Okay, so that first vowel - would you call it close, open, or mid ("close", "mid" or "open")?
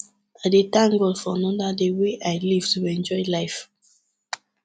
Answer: open